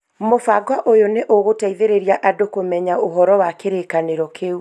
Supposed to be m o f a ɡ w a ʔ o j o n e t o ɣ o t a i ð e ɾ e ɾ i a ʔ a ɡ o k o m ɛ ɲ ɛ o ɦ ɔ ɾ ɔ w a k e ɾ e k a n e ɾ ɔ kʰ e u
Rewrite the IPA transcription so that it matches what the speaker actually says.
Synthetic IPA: m o f a ɡ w a ʔ o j o n e ʔ o ɣ o t a i ð e ɾ e ɾ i a ʔ a d o k o m ɛ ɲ a o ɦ ɔ ɾ ɔ w a k e ɾ e k a n e ɾ ɔ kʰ e u

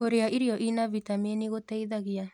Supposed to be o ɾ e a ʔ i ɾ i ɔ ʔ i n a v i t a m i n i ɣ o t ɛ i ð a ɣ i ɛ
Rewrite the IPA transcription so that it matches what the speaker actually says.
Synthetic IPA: o ɾ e a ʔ i ɾ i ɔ ʔ i n a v i t a m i n i ɣ o t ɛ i ð a ɣ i a

